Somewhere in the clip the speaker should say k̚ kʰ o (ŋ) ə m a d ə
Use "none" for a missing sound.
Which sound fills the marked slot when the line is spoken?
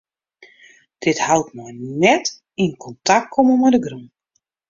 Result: m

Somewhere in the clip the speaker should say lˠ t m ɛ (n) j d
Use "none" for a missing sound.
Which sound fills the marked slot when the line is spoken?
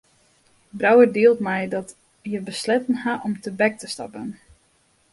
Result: none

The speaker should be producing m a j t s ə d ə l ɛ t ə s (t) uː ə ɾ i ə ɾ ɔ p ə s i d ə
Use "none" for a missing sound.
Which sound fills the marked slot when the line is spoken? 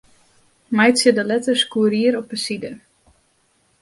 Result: k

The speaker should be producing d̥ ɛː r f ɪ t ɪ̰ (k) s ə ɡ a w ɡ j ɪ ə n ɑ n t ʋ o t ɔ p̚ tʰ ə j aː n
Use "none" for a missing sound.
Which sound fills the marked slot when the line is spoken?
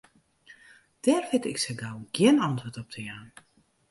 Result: k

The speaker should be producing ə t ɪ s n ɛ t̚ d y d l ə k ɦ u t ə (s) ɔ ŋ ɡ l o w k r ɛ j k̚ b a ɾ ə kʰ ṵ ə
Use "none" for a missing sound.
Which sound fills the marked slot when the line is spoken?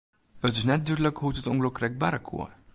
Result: t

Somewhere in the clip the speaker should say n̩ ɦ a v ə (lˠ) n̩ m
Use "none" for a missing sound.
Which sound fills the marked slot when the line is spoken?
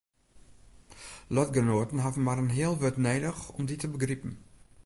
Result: none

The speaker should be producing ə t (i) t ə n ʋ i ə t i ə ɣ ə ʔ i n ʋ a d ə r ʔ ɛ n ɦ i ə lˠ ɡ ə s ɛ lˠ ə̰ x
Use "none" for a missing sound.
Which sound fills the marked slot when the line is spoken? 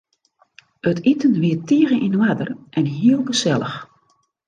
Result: i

